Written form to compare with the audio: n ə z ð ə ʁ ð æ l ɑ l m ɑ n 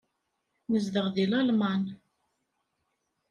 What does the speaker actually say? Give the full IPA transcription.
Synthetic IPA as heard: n ə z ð ə ʁ ð i l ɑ l m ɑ n